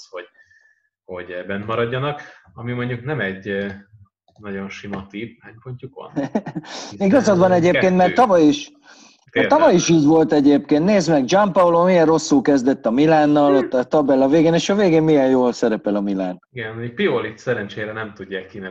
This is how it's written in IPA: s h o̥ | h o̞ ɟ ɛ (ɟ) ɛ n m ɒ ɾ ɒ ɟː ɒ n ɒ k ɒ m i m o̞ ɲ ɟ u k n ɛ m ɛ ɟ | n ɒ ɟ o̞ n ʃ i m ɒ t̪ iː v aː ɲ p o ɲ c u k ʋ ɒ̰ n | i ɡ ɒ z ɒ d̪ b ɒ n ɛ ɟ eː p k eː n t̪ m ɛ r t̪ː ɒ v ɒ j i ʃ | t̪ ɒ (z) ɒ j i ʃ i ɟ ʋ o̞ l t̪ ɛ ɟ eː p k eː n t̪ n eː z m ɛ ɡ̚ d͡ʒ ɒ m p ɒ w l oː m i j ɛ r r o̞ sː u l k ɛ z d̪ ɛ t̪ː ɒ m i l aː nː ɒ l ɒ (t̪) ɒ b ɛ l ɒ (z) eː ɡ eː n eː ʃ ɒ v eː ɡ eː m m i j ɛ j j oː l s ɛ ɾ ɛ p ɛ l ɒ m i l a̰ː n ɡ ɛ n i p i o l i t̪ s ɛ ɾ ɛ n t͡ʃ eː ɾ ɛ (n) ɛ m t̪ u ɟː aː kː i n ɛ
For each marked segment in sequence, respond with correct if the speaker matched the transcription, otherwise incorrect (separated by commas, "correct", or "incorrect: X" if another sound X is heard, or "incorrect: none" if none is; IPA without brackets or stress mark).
incorrect: b, incorrect: v, correct, incorrect: v, correct